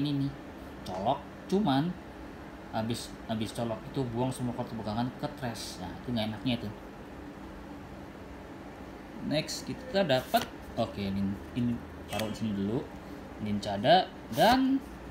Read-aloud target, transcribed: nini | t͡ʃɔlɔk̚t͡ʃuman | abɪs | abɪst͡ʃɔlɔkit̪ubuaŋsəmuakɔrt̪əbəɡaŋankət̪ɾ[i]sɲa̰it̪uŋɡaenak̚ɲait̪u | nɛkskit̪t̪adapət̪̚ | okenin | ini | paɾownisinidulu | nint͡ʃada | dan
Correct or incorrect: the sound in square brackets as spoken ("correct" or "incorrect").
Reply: incorrect